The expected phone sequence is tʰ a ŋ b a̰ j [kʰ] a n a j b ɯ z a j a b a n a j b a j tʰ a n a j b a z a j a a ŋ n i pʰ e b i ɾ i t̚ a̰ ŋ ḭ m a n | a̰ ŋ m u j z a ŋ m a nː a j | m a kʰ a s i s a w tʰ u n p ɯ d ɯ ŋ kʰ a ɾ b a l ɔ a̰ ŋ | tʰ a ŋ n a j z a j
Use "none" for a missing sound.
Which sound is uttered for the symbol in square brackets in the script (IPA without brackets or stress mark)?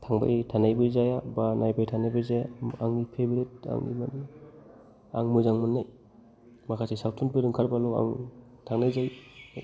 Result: tʰ